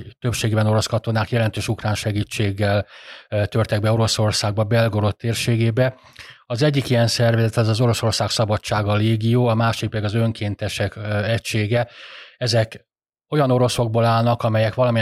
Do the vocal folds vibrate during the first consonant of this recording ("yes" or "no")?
no